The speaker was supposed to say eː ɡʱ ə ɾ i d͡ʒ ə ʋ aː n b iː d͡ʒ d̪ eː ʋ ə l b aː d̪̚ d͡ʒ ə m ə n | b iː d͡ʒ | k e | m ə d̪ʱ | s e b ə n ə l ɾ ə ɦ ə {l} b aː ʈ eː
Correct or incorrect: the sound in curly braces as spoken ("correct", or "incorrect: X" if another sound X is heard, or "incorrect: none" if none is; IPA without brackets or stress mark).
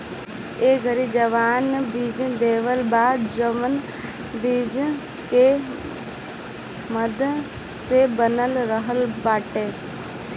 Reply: correct